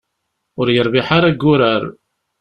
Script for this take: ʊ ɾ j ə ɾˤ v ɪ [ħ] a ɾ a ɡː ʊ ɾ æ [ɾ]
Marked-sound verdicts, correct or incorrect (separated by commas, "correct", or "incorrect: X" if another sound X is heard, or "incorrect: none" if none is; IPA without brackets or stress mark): correct, correct